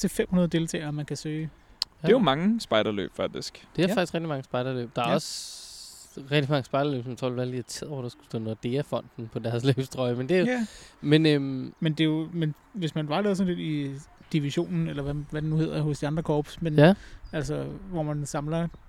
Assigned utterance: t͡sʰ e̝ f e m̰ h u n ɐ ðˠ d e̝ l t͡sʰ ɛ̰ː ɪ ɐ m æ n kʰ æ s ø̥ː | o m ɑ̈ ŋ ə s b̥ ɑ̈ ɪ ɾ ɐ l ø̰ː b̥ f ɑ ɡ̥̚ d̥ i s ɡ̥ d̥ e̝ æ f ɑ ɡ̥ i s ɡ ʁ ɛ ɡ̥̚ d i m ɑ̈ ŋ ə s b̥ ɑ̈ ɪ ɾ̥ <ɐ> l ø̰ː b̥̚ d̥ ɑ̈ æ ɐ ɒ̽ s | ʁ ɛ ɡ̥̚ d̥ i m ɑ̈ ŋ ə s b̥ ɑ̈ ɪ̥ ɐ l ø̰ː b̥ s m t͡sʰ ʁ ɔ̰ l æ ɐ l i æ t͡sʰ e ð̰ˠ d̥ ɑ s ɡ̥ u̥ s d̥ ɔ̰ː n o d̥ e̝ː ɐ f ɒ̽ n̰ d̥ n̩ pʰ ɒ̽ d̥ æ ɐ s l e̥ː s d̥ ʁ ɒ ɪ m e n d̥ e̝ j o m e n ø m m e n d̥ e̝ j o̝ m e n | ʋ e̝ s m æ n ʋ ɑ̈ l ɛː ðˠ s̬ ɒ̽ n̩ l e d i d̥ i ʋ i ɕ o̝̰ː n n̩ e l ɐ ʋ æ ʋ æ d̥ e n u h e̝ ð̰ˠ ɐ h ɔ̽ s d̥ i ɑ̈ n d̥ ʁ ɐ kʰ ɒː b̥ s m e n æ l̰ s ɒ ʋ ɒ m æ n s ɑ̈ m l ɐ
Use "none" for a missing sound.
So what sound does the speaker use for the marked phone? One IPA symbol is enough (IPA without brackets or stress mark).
ɐ